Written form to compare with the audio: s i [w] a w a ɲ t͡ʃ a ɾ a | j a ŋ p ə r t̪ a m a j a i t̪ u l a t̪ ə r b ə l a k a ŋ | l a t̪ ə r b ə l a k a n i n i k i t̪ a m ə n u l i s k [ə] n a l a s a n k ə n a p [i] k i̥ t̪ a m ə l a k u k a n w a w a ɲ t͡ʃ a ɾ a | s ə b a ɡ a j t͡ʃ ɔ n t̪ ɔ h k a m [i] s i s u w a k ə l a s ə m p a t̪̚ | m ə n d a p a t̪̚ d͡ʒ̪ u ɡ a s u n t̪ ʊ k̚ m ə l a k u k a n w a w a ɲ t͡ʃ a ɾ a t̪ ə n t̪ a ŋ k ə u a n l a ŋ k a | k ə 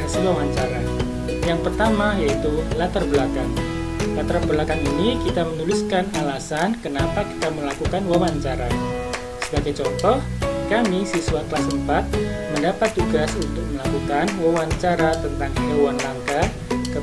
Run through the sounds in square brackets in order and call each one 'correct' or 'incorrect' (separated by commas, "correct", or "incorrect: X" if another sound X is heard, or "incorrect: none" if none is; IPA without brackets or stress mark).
correct, incorrect: a, incorrect: a, correct